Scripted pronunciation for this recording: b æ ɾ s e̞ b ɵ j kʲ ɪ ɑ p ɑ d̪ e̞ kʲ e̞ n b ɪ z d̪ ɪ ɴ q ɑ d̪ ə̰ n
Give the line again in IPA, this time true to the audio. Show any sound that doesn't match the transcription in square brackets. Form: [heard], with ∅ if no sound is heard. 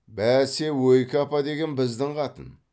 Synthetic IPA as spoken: b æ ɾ s e̞ [w] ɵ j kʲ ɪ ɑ p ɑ d̪ e̞ [ɡʲ] e̞ n b ɪ z d̪ ɪ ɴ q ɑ [t̪] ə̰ n

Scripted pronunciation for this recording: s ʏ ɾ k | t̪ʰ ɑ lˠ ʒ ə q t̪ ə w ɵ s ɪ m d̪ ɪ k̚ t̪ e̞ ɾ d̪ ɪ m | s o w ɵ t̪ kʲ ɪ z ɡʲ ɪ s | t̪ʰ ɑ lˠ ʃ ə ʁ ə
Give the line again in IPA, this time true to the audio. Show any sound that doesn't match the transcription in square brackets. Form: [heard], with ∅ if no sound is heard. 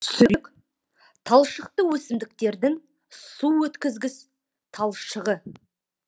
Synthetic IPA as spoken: s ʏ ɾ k | t̪ʰ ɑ lˠ [ʃ] ə q t̪ ə w ɵ s ɪ m d̪ ɪ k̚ t̪ e̞ ɾ d̪ ɪ [ŋ] | s [u] w ɵ t̪ kʲ ɪ z ɡʲ ɪ s | t̪ʰ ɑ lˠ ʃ ə ʁ ə

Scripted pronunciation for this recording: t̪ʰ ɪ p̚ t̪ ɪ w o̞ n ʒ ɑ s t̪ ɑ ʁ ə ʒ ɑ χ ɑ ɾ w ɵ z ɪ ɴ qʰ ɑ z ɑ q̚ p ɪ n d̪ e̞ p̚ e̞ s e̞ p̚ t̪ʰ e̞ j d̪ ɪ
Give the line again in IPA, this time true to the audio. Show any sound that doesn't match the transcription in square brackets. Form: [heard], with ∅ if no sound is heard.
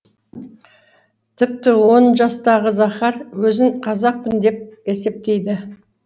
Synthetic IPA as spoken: t̪ʰ ɪ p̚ t̪ ɪ w o̞ n ʒ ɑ s t̪ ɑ ʁ ə [z] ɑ χ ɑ ɾ w ɵ z ɪ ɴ qʰ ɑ z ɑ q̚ p ɪ n d̪ e̞ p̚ e̞ s e̞ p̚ [t̪] e̞ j d̪ ɪ

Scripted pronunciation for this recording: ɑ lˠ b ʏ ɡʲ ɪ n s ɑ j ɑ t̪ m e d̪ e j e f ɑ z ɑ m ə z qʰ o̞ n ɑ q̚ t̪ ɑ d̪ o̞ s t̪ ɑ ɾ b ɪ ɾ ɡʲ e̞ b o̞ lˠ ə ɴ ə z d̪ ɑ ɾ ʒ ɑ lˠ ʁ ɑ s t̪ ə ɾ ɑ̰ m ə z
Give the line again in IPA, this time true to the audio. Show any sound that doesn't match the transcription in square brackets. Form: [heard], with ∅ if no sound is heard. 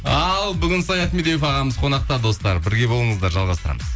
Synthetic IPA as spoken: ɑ lˠ b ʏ ɡʲ ɪ n s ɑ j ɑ t̪ m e d̪ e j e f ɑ [ʁ] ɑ m ə z qʰ o̞ n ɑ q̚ t̪ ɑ d̪ o̞ s t̪ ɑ ɾ b ɪ ɾ ɡʲ e̞ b o̞ lˠ ə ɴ ə z d̪ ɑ ɾ ʒ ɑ lˠ ʁ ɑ s t̪ ə ɾ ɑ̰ m ə z

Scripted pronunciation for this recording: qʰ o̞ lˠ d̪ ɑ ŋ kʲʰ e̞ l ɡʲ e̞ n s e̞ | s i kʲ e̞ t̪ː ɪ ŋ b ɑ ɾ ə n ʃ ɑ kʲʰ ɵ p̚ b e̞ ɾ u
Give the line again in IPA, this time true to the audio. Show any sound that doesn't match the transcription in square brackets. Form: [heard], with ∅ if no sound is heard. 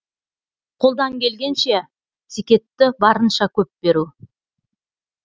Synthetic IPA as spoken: qʰ o̞ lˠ d̪ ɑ ŋ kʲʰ e̞ l ɡʲ e̞ n [ʃ] e̞ | s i kʲ e̞ t̪ː ɪ [∅] b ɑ ɾ ə n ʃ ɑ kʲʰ ɵ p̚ b e̞ ɾ u

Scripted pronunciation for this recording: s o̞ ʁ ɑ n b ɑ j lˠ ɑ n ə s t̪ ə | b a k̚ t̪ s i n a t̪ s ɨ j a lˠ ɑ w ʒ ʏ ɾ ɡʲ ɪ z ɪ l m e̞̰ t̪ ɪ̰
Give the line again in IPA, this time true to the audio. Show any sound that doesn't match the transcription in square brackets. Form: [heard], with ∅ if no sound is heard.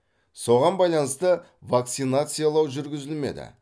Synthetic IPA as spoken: s o̞ ʁ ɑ n b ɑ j lˠ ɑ n ə s t̪ ə | [v] a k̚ t̪ s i n a t̪ s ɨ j a lˠ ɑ w ʒ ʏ ɾ ɡʲ ɪ z ɪ l m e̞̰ [d̪] ɪ̰

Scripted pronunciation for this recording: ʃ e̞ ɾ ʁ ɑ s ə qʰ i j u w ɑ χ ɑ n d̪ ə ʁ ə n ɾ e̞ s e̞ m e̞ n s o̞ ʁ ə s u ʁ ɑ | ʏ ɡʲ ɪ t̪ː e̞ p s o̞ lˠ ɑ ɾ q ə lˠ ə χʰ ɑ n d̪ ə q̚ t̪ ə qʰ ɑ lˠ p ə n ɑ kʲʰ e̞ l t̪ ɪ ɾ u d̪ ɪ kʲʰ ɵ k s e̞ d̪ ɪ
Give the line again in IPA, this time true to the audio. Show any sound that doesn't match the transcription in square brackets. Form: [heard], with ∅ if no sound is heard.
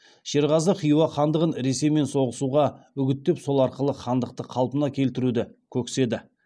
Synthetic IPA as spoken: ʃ e̞ ɾ ʁ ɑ [z] ə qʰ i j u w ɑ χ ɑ n d̪ ə ʁ ə n ɾ e̞ s e̞ m e̞ n s o̞ ʁ ə s u ʁ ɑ | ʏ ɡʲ ɪ t̪ː e̞ p s o̞ lˠ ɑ ɾ q ə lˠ ə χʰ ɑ n d̪ ə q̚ t̪ ə qʰ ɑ lˠ p ə n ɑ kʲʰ e̞ l t̪ ɪ ɾ u d̪ ɪ kʲʰ ɵ k s e̞ d̪ ɪ

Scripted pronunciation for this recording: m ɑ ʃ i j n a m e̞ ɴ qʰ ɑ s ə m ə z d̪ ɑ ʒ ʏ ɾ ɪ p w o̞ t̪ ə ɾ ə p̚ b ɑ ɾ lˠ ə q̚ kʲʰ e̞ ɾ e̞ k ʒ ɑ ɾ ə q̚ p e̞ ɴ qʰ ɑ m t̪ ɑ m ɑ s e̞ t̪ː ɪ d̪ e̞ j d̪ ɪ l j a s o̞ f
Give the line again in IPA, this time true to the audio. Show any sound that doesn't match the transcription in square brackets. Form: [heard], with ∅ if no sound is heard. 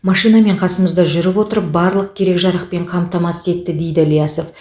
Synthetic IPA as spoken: m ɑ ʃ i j n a m e̞ ɴ qʰ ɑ s ə m ə z d̪ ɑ ʒ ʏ ɾ ɪ p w o̞ t̪ ə ɾ ə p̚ b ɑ ɾ lˠ ə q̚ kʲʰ e̞ ɾ e̞ k ʒ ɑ ɾ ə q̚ p e̞ ɴ qʰ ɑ m t̪ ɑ m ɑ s e̞ t̪ː ɪ d̪ e̞ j d̪ ɪ l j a s o̞ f

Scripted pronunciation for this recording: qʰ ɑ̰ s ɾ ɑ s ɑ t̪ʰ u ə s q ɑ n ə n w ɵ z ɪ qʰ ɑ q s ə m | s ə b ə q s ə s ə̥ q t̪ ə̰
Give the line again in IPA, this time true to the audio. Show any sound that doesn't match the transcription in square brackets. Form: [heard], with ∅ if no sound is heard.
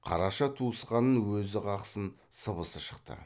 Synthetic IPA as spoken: qʰ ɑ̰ [∅] ɾ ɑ [ʃ] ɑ t̪ʰ u ə s q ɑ n ə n w ɵ z ɪ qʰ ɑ q s ə [n] | s ə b ə [∅] s ə [ʃ] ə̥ q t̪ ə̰

